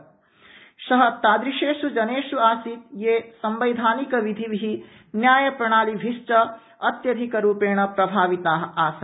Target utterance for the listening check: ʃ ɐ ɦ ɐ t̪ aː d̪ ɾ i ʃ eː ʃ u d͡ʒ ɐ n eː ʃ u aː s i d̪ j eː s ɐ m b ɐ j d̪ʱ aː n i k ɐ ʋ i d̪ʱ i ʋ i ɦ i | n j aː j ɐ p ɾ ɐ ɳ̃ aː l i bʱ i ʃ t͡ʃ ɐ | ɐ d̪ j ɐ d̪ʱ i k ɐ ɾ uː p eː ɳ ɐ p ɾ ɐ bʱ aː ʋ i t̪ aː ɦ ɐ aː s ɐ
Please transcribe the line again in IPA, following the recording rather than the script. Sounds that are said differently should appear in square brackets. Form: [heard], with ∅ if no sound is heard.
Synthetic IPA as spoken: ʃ ɐ ɦ ɐ t̪ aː d̪ ɾ i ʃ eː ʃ u d͡ʒ ɐ n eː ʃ u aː s i [t̪] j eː s ɐ m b ɐ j d̪ʱ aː n i k ɐ ʋ i d̪ʱ i ʋ i ɦ i | n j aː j ɐ p ɾ ɐ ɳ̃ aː l i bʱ i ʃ t͡ʃ ɐ | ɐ [t̪] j ɐ d̪ʱ i k ɐ ɾ uː p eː ɳ ɐ p ɾ ɐ bʱ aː ʋ i t̪ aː ɦ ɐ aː s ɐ

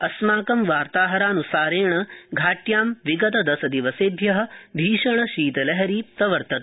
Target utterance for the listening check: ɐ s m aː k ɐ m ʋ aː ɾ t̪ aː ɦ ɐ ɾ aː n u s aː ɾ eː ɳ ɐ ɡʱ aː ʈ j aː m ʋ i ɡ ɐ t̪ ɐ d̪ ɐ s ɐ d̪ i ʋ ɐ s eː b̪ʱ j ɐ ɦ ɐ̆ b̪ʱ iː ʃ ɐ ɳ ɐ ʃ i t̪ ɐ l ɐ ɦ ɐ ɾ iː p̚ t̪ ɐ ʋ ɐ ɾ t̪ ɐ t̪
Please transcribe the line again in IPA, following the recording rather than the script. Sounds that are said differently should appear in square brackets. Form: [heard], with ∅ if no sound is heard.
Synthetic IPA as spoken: ɐ s m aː k ɐ m ʋ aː ɾ t̪ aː ɦ ɐ ɾ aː n u s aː ɾ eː ɳ ɐ ɡʱ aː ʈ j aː m ʋ i ɡ ɐ t̪ ɐ d̪ ɐ s ɐ d̪ i ʋ ɐ s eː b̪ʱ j ɐ ɦ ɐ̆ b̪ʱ iː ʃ ɐ ɳ ɐ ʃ [iː] t̪ ɐ l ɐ ɦ ɐ ɾ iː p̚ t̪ ɐ ʋ ɐ ɾ t̪ ɐ t̪

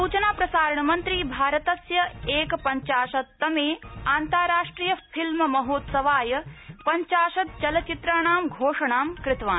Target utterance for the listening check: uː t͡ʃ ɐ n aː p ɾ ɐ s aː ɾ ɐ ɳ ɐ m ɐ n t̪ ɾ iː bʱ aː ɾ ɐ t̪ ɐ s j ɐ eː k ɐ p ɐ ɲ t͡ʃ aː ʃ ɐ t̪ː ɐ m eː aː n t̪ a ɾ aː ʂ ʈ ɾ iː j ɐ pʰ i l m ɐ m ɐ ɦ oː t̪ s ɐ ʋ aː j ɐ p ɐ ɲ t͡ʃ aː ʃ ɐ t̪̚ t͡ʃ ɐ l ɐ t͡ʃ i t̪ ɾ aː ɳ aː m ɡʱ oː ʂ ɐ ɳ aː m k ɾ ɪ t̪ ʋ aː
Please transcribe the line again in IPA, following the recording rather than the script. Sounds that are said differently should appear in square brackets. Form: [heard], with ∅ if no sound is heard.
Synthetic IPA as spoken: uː t͡ʃ ɐ n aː p ɾ ɐ s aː ɾ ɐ ɳ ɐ m ɐ n t̪ ɾ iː bʱ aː ɾ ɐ t̪ ɐ s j ɐ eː k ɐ p ɐ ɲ t͡ʃ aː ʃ ɐ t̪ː ɐ m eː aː n t̪ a ɾ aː ʂ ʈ ɾ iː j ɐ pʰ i l m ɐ m ɐ ɦ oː t̪ s ɐ ʋ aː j ɐ p ɐ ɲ t͡ʃ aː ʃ ɐ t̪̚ t͡ʃ ɐ l ɐ t͡ʃ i t̪ ɾ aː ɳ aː m ɡʱ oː ʂ ɐ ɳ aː m k ɾ ɪ t̪ ʋ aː

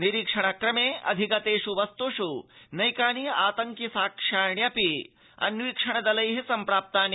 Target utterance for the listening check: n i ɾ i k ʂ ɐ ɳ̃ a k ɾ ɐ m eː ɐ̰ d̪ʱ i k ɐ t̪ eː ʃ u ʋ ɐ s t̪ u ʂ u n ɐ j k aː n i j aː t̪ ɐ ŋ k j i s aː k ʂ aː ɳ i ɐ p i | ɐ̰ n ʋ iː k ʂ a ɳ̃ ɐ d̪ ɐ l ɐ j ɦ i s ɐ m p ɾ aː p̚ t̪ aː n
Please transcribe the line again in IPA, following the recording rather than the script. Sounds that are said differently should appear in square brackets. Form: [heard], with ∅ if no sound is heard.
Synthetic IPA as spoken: n i ɾ i k ʂ ɐ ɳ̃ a k ɾ ɐ m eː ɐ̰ d̪ʱ i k ɐ t̪ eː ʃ u ʋ ɐ s t̪ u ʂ u n ɐ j k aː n i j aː t̪ ɐ ŋ k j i s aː k ʂ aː ɳ [j] ɐ p i | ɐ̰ n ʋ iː k ʂ [ɐ] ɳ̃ ɐ d̪ ɐ l ɐ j ɦ i s ɐ m p ɾ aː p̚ t̪ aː n

